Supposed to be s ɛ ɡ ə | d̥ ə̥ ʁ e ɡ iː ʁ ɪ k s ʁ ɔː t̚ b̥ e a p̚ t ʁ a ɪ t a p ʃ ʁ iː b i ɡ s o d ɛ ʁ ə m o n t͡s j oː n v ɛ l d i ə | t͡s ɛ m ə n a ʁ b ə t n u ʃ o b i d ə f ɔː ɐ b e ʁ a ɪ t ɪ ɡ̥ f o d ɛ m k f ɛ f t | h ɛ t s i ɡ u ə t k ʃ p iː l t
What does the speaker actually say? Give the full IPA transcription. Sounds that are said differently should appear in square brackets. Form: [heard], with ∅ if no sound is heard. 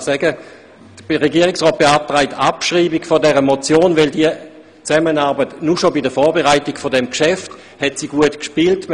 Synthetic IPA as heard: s ɛ ɡ ə | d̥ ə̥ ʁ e ɡ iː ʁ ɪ k s ʁ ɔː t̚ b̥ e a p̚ t ʁ a ɪ t a p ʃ ʁ iː b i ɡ [f] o d ɛ ʁ ə m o [∅] t͡s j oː n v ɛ l d i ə | t͡s ɛ m ə n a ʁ b ə t n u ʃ o b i d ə f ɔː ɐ b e ʁ a ɪ t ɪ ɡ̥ f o d ɛ m k [ʃ] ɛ f t | h ɛ t s i ɡ u ə t k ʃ p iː l t